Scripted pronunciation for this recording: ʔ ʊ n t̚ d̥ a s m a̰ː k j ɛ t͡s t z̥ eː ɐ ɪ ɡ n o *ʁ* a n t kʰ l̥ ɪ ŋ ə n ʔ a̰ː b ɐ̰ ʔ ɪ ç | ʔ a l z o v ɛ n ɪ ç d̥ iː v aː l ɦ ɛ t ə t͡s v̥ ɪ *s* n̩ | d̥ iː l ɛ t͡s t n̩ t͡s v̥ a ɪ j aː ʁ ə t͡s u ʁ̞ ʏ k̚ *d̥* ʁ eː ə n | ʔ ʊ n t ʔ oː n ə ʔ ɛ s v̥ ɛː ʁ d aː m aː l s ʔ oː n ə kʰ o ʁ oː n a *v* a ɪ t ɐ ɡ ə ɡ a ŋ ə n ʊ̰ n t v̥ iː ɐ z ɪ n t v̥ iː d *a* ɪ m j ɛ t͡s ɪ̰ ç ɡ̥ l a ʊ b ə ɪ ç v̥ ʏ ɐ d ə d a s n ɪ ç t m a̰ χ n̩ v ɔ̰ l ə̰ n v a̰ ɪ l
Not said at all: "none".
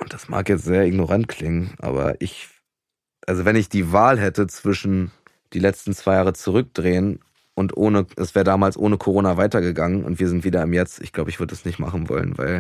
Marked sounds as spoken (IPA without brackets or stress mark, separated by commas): ʁ, ʃ, d̥, v, ɐ